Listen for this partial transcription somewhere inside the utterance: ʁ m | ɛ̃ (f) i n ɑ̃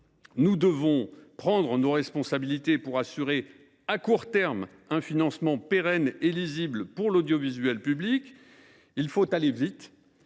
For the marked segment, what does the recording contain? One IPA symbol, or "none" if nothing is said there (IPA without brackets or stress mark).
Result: f